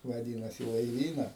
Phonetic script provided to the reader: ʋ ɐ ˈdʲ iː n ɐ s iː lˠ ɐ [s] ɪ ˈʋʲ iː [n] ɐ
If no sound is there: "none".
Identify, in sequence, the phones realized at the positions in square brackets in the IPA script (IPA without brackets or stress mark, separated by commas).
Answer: none, n